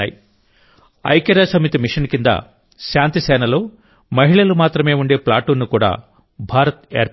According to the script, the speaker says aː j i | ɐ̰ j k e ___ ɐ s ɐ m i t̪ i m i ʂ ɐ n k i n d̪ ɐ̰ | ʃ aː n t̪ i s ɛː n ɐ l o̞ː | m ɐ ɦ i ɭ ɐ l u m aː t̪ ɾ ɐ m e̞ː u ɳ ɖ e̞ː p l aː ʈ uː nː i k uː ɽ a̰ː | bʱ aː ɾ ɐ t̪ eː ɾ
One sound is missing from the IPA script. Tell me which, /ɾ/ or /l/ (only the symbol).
ɾ